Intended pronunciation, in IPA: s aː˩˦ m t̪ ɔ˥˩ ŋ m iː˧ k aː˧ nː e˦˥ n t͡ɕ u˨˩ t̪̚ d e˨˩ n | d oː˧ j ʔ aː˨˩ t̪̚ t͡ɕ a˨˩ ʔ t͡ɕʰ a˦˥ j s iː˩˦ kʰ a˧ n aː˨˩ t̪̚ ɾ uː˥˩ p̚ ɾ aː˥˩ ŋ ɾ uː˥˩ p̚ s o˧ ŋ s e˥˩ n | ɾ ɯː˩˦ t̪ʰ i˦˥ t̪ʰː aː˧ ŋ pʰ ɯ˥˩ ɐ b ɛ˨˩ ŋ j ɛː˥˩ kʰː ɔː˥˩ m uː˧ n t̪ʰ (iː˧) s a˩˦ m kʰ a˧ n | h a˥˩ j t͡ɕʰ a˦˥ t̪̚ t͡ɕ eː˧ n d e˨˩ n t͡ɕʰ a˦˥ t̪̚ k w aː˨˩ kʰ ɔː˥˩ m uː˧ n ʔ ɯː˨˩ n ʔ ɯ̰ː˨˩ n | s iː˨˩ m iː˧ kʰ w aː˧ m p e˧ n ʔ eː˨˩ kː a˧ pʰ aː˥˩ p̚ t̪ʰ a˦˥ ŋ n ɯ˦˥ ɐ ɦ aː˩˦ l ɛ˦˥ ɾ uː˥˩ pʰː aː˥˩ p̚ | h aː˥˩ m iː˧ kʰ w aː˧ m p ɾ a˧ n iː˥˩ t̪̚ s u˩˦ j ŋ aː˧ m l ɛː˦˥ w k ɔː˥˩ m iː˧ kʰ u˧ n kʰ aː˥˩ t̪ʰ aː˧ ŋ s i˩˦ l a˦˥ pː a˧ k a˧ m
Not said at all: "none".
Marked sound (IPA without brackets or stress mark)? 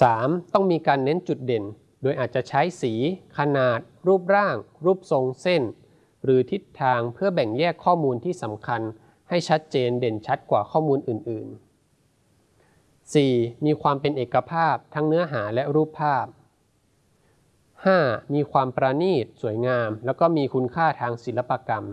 iː˥˩